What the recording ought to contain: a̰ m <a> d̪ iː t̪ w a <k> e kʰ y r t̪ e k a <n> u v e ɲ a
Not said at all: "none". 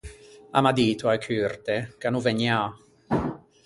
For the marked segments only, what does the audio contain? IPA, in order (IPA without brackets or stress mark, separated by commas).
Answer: a, none, n